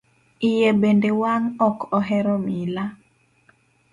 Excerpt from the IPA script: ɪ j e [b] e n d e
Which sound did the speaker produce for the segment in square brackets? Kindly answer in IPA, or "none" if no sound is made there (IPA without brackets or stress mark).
b